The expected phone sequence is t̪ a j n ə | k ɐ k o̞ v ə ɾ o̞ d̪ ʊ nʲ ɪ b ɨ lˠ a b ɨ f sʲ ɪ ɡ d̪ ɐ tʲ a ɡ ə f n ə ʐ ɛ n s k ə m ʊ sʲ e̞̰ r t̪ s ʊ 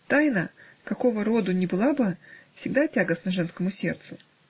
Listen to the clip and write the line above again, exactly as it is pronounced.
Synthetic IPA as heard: t̪ a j n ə | k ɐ k o̞ v ə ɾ o̞ d̪ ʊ nʲ ɪ b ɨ lˠ a b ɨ f sʲ ɪ ɡ d̪ a tʲ a ɡ ə s n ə ʐ ɛ n s k ə m ʊ sʲ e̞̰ r t̪ s ʊ